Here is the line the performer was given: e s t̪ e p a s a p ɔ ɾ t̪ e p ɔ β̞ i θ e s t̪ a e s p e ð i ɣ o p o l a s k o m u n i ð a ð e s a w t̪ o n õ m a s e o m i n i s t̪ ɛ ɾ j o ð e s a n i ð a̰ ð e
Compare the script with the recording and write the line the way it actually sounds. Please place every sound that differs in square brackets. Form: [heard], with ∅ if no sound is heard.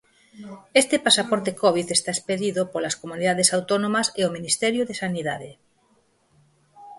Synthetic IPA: e s t̪ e p a s a p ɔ ɾ t̪ e [k] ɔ β̞ i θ e s t̪ a e s p e ð i [ð] o p o l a s k o m u n i ð a ð e s a w t̪ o n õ m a s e o m i n i s t̪ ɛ ɾ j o ð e s a n i ð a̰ ð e